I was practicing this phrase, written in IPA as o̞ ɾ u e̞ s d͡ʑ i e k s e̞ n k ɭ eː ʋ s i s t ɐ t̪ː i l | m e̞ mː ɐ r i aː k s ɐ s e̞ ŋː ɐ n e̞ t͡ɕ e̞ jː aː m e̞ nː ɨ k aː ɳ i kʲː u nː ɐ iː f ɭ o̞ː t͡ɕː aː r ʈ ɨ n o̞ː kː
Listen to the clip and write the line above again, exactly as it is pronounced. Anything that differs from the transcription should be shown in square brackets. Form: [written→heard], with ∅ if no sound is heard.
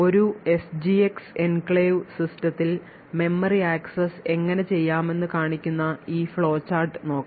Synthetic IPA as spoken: o̞ ɾ u e̞ s d͡ʑ i e k s e̞ n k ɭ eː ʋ s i s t ɐ t̪ː i l | m e̞ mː ɐ r i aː k s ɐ s e̞ ŋː ɐ n e̞ t͡ɕ e̞ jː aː m e̞ nː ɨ k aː ɳ i kʲː u nː ɐ iː f ɭ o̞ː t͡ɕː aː r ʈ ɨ n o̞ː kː